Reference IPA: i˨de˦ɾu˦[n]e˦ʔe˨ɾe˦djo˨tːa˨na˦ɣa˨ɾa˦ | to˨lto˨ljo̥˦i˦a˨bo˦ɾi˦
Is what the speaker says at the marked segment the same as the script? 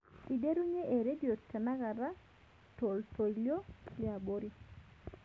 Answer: no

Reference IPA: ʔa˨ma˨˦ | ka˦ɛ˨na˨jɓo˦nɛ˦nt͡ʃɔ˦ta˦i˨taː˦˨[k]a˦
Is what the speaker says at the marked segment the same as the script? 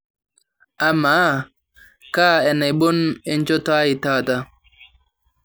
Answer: no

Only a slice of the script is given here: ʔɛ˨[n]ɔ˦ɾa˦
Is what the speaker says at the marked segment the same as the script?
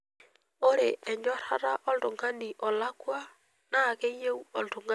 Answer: no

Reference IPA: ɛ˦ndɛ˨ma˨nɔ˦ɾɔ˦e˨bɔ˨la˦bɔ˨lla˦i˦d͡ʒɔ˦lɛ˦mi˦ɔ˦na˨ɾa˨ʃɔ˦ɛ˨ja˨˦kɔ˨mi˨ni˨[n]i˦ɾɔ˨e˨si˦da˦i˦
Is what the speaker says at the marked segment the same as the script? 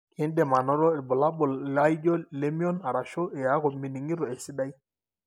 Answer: no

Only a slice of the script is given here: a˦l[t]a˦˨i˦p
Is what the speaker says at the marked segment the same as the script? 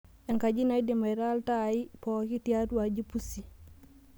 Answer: yes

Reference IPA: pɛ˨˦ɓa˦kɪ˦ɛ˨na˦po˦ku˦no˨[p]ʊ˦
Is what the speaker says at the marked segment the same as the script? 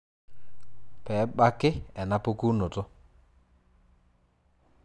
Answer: no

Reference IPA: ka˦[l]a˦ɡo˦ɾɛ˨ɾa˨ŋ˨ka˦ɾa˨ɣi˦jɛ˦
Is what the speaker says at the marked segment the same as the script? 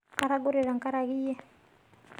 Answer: no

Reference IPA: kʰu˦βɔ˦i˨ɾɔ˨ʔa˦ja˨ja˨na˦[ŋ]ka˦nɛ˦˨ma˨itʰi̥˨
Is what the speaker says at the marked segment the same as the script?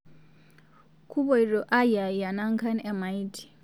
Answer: yes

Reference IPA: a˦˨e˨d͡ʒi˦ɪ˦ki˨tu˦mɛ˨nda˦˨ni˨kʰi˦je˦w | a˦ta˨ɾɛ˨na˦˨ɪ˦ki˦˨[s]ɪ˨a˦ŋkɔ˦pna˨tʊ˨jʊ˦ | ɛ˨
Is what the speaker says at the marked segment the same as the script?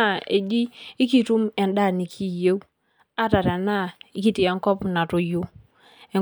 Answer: no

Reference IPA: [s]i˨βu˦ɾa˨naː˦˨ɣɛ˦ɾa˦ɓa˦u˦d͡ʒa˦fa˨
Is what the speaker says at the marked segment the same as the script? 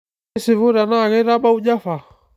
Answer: yes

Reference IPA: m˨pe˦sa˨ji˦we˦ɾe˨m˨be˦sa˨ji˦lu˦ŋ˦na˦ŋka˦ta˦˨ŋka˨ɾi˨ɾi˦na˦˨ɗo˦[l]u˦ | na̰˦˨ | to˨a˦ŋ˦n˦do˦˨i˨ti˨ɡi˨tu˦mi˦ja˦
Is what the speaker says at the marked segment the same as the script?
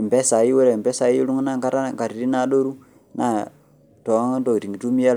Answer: no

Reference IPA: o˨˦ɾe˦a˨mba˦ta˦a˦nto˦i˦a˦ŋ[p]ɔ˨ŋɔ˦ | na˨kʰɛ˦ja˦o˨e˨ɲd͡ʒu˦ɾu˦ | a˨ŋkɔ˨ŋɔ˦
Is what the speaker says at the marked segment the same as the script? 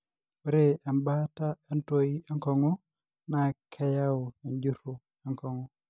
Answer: no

